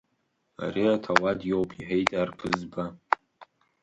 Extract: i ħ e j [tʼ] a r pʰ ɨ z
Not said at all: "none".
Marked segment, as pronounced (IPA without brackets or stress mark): tʼ